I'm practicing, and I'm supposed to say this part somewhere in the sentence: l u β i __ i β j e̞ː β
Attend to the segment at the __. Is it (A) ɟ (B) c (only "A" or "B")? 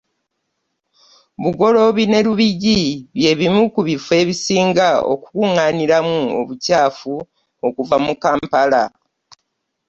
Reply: A